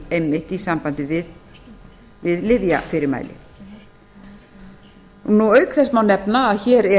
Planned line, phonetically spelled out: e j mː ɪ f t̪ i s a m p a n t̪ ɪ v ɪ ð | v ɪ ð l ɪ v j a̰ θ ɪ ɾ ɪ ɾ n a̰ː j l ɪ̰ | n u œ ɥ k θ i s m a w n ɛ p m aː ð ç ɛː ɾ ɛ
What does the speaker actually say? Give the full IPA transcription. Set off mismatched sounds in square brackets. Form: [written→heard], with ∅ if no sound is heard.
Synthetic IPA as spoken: e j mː ɪ [f→h] t̪ i s a m p a n t̪ ɪ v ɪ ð | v ɪ ð l ɪ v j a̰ [θ→f] ɪ ɾ ɪ ɾ [n→m] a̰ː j l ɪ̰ | n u œ ɥ k θ [i→ɛ] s m a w n ɛ p [m→n] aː ð ç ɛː ɾ ɛ